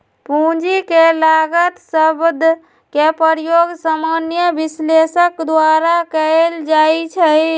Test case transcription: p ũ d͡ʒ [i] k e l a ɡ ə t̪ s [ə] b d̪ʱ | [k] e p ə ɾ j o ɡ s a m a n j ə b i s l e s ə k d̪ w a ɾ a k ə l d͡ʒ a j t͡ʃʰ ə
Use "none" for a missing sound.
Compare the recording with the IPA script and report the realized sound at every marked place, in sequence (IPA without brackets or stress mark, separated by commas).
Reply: i, ə, k